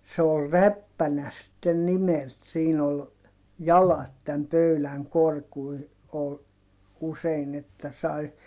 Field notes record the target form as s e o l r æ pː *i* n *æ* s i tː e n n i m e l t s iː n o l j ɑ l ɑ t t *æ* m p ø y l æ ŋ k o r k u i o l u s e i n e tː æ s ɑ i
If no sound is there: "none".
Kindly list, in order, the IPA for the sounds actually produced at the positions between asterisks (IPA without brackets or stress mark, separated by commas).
æ, æ, æ